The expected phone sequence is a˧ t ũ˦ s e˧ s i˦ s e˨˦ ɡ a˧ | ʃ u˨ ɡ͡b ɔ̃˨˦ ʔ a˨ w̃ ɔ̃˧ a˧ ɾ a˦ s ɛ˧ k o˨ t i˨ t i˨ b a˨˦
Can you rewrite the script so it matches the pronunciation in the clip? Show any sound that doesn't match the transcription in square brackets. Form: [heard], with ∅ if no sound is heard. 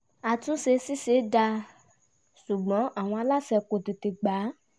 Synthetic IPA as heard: a˧ t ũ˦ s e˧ s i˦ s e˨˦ [d] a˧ | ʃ u˨ ɡ͡b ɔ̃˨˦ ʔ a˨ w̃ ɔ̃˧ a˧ [l] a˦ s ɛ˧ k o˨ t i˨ t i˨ [ɡ͡b] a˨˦